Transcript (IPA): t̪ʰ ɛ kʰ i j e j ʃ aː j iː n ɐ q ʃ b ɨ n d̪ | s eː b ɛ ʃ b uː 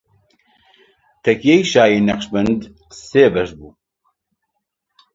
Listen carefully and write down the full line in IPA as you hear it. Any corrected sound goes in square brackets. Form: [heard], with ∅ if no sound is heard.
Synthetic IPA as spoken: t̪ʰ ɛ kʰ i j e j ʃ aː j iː n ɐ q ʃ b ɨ n d̪ | s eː b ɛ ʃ b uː